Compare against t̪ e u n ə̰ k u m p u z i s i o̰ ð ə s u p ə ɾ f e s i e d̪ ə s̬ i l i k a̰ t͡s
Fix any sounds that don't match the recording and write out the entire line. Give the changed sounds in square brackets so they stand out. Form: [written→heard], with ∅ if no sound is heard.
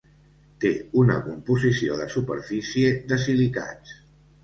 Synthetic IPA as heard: t̪ e u n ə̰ k u m p u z i s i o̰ ð ə s u p ə ɾ f [e→i] s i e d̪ ə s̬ i l i k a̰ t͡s